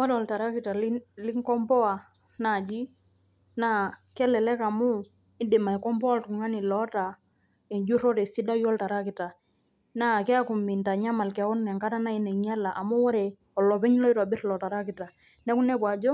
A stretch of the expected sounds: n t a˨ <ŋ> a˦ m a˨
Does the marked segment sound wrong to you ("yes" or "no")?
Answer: yes